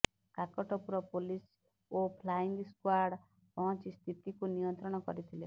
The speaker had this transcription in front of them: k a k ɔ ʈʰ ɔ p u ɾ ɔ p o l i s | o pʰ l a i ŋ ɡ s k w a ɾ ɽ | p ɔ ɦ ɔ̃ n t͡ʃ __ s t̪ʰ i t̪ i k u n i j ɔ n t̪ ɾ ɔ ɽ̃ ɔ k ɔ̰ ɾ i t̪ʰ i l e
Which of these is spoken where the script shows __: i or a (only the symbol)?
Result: i